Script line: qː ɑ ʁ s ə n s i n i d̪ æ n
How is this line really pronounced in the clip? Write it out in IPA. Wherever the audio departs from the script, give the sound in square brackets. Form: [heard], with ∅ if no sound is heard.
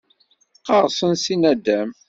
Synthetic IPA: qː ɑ ʁ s ə n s i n [æ] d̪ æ [m]